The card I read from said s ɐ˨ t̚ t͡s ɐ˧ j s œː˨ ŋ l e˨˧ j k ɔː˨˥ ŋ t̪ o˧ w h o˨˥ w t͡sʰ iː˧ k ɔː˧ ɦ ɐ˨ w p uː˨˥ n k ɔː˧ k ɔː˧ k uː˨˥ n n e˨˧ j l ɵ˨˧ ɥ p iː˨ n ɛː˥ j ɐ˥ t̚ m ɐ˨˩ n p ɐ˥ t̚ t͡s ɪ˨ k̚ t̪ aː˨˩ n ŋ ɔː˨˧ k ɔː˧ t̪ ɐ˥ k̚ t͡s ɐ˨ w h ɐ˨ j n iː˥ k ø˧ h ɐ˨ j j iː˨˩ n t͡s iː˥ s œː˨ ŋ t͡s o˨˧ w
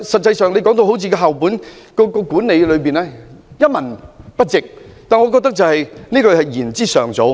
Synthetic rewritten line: s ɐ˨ t̚ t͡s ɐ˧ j s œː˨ ŋ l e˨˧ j k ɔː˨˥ ŋ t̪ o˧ w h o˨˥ w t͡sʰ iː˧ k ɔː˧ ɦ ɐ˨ w p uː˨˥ n k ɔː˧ k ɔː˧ k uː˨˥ n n e˨˧ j l ɵ˨˧ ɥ p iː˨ n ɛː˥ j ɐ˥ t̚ m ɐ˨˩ n p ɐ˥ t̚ t͡s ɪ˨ k̚ t̪ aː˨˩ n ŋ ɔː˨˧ k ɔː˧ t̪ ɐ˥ k̚ t͡s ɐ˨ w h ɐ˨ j n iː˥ k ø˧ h ɐ˨ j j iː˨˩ n t͡s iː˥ s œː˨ ŋ t͡s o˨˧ w